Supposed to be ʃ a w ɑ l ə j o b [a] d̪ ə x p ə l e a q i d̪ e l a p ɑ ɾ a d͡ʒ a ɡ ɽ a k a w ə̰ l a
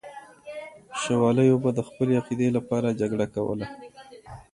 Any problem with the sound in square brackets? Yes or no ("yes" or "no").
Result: no